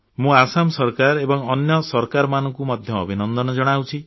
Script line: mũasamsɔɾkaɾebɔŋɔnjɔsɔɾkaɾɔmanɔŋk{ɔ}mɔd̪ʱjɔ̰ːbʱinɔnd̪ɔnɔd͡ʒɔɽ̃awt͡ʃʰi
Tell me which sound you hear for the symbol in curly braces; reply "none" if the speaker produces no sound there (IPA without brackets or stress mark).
u